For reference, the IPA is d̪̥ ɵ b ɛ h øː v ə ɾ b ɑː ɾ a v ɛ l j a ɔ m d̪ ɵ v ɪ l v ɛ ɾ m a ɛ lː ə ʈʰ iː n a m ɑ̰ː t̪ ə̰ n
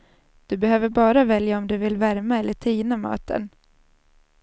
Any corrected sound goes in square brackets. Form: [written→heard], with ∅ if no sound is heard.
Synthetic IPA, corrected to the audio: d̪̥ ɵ b ɛ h øː v ə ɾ b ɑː ɾ a v ɛ l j a ɔ m d̪ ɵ v ɪ l v [ɛ→æ] ɾ m a ɛ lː ə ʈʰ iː n a m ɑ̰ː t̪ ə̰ n